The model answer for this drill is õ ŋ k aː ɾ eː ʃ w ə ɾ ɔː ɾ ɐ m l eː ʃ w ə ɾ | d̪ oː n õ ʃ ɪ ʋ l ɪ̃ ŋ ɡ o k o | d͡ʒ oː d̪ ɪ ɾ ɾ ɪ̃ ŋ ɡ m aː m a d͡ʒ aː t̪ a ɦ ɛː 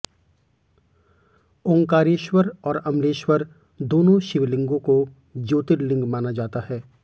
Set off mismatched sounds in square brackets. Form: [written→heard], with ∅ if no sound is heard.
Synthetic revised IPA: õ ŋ k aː ɾ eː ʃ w ə ɾ ɔː ɾ ɐ m l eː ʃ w ə ɾ | d̪ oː n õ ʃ ɪ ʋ l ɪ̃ ŋ ɡ [o→õ] k o | d͡ʒ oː [d̪→t̪] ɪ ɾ [ɾ→l] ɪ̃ ŋ ɡ m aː [m→n] a d͡ʒ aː t̪ a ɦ ɛː